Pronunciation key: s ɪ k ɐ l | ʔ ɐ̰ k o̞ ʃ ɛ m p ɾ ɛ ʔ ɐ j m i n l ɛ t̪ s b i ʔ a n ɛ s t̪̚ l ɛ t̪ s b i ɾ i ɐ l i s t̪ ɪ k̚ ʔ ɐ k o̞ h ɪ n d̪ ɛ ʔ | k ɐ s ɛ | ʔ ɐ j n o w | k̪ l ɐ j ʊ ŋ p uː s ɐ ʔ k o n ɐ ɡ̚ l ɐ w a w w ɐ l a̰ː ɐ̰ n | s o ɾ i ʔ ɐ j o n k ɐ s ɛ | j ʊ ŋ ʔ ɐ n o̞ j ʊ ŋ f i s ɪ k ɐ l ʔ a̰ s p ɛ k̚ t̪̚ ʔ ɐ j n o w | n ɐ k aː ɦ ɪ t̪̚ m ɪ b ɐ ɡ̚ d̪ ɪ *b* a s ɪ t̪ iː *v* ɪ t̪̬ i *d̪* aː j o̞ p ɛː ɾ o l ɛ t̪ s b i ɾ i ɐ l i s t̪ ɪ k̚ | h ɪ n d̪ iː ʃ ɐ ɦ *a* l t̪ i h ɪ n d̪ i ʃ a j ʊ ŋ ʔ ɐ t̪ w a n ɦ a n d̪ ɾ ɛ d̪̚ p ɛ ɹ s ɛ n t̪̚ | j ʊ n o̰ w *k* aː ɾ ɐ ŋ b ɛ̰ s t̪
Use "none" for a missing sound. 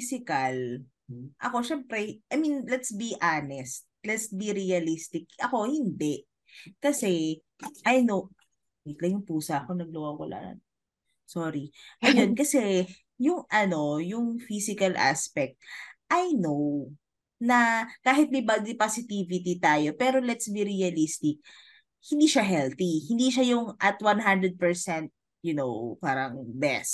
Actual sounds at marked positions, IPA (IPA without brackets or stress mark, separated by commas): p, v, t̪, ɛ, p